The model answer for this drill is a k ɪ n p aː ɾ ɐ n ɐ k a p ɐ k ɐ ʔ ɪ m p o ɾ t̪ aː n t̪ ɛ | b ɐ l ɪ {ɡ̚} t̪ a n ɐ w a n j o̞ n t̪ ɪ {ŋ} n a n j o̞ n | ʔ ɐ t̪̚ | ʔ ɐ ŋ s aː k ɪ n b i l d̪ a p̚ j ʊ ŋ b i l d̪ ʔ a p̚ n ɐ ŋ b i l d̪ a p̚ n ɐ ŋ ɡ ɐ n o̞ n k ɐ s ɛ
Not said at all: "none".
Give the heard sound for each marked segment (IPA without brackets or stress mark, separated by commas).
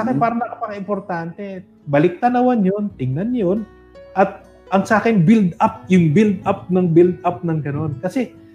k̚, ŋ